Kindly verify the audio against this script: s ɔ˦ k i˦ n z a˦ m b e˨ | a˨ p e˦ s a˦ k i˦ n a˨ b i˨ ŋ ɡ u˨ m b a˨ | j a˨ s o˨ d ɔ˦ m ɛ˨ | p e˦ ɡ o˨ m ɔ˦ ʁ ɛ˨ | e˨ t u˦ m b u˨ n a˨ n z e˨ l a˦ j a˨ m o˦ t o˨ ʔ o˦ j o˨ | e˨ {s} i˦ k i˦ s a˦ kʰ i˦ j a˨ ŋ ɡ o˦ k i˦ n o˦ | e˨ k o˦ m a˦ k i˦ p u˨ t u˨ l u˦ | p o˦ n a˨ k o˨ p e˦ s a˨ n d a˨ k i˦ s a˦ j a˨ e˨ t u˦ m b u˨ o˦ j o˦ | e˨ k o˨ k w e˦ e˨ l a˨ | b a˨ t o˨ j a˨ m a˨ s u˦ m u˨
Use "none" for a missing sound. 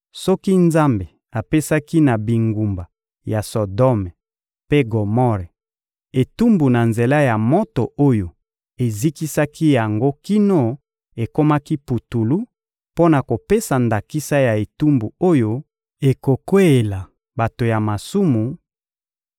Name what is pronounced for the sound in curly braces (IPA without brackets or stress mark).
z